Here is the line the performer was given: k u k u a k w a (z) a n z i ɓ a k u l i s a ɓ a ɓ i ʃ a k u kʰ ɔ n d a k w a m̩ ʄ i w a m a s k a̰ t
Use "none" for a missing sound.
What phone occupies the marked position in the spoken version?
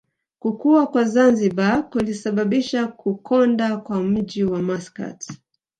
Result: z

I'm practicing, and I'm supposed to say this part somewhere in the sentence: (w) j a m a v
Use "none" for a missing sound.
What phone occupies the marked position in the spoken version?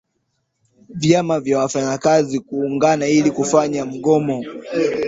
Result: v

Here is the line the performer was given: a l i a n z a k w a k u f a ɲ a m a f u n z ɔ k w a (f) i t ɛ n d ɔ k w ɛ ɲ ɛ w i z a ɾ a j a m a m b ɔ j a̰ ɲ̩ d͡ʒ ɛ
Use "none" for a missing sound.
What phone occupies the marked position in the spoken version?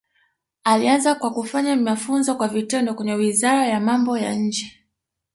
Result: v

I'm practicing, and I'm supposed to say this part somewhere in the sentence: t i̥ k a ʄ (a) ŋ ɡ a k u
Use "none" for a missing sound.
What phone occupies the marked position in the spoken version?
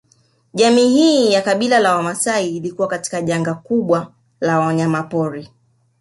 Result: a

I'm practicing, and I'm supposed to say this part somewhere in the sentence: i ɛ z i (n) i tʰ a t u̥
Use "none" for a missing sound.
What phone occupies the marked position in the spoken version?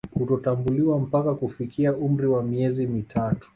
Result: m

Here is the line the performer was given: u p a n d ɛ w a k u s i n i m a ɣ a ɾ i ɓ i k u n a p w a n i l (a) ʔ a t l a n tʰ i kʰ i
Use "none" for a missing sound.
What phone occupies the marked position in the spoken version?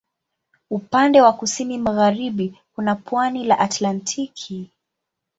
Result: a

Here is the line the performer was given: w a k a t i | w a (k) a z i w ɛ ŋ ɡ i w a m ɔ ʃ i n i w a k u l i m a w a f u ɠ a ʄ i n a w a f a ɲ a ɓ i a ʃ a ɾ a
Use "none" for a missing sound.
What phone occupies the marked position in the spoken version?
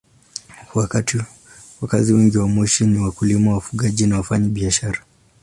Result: k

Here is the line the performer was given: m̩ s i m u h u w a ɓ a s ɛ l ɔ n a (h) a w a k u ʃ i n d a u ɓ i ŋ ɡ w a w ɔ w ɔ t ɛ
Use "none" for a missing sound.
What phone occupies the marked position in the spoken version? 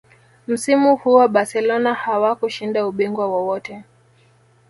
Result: h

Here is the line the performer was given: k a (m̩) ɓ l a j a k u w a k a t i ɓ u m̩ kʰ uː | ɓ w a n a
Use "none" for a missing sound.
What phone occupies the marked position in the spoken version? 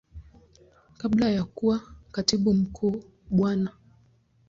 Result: none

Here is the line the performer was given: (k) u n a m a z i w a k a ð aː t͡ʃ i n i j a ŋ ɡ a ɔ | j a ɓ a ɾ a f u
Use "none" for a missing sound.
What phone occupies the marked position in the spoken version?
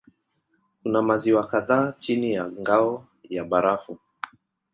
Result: k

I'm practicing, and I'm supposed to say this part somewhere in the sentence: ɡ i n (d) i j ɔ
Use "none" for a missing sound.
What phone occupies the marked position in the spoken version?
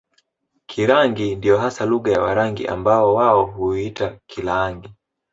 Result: d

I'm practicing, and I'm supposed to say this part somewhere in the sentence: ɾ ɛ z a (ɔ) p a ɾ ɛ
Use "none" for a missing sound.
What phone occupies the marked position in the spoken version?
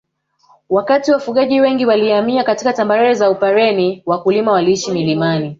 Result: u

